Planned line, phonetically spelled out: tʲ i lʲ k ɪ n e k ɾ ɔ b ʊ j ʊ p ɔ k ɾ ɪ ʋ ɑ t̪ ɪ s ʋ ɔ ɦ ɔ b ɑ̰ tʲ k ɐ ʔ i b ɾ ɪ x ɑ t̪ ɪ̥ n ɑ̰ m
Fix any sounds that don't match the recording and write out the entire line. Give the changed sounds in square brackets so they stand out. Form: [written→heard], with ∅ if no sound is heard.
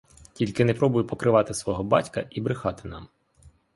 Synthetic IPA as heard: tʲ i lʲ k ɪ n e [k→p] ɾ ɔ b ʊ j ʊ p ɔ k ɾ ɪ ʋ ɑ t̪ ɪ s ʋ ɔ ɦ ɔ b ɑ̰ tʲ k ɐ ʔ i b ɾ ɪ x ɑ t̪ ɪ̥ n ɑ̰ m